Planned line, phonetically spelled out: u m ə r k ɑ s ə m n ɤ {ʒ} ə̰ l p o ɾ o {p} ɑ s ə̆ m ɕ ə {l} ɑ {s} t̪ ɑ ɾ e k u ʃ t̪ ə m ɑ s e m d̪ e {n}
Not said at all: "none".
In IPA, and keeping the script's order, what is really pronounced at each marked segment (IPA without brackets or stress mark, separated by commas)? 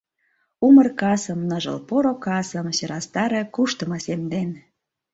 ʒ, k, ɾ, s, n